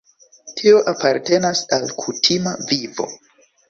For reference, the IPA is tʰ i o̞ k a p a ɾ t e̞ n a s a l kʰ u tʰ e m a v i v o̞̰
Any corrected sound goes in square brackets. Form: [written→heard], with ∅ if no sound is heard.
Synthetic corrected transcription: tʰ i o̞ [k→ʔ] a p a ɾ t e̞ n a s a l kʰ u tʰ [e→i] m a v i v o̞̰